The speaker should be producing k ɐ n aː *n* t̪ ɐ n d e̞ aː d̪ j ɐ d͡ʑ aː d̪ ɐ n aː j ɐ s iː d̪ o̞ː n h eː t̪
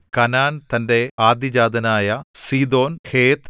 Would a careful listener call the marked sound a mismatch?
no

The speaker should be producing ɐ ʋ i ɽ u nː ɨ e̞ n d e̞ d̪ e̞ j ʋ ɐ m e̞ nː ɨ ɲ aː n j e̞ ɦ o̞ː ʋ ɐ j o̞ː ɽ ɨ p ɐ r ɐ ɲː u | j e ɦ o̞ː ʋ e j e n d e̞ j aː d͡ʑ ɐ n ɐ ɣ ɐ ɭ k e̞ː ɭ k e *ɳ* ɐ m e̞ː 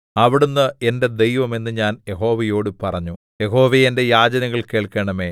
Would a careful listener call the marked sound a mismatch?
no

